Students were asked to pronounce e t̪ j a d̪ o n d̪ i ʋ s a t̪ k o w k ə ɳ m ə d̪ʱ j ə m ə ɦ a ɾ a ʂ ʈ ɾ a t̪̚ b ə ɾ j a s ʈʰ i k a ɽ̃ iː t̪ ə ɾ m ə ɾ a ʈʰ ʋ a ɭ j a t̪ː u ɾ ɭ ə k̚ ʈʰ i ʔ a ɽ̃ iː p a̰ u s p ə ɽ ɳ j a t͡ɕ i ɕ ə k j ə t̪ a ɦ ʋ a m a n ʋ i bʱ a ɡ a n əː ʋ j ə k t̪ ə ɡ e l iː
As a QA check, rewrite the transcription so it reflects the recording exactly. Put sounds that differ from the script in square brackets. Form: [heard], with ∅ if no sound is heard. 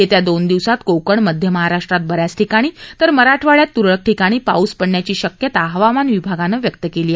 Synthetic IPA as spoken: e t̪ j a d̪ o n d̪ i ʋ s a t̪ k o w k ə ɳ m ə d̪ʱ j ə m ə ɦ a ɾ a ʂ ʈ ɾ a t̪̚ b ə ɾ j a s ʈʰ i k a ɽ̃ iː t̪ ə ɾ m ə ɾ a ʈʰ ʋ a ɭ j a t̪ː u ɾ ɭ ə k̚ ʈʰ i [k] a ɽ̃ iː p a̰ u s p ə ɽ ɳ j a t͡ɕ [iː] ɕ ə k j ə t̪ a ɦ ʋ a m a n ʋ i bʱ a ɡ a n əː ʋ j ə k t̪ ə [k] e l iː